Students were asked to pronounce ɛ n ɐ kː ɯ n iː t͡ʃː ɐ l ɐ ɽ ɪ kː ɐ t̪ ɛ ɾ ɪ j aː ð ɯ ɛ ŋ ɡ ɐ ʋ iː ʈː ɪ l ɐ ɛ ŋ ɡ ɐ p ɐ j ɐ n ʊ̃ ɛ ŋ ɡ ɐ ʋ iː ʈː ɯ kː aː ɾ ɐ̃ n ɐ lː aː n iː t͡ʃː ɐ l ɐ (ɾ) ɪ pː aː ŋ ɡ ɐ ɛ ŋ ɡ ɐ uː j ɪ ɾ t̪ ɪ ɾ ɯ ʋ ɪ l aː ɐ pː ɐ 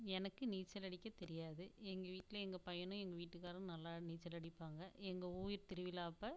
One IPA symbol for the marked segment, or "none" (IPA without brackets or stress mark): ɽ